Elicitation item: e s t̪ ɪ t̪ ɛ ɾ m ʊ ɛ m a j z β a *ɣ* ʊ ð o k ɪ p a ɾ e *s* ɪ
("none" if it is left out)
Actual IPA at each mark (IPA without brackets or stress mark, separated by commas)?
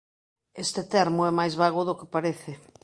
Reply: ɣ, θ